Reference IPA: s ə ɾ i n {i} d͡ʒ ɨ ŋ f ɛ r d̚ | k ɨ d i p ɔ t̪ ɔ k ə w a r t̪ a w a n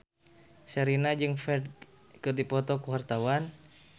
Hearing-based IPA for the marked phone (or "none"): a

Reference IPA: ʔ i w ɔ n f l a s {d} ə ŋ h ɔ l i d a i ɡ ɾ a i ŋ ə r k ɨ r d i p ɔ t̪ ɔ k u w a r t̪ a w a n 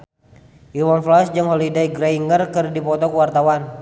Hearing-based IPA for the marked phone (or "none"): d͡ʒ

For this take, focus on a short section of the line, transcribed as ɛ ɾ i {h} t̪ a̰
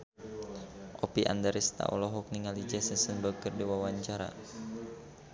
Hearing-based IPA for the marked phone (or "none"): s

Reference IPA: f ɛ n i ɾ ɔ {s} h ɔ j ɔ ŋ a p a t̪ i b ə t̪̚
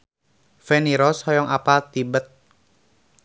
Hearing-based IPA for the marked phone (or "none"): s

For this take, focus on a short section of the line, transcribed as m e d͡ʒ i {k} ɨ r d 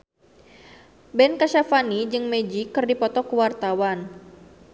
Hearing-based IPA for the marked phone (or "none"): k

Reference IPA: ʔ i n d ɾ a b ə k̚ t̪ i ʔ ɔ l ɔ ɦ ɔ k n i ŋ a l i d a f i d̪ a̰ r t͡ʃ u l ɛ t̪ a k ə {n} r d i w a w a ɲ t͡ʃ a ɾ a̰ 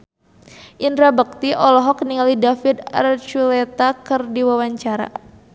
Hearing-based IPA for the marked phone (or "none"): none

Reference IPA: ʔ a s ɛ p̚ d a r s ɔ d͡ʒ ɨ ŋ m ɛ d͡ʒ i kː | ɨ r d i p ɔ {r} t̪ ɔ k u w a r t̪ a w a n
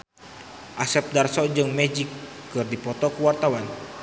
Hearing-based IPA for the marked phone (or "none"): none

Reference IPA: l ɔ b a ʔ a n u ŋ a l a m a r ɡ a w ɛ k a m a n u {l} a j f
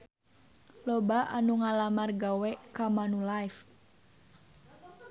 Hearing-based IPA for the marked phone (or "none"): l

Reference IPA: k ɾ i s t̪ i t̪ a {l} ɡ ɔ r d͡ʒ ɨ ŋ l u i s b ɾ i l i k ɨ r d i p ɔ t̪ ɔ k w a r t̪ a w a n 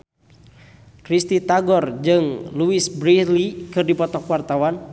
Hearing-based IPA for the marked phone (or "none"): none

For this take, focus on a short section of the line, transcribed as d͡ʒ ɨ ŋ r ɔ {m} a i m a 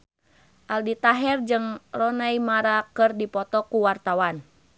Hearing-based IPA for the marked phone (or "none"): n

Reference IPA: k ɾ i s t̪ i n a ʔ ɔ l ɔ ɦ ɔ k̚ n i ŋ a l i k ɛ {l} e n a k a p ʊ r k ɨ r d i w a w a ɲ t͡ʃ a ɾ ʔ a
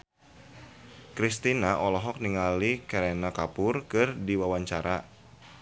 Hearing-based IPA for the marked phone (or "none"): ɾ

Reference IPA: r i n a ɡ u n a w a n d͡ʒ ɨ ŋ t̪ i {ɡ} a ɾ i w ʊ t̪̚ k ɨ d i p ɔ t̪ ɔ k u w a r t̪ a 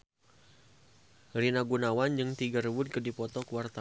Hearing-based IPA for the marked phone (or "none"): ɡ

